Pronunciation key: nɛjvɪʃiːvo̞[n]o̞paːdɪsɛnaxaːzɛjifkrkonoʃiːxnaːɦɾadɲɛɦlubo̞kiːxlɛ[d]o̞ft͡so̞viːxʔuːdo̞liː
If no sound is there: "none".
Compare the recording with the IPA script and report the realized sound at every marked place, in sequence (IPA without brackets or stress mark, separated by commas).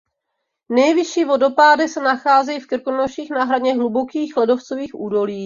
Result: d, d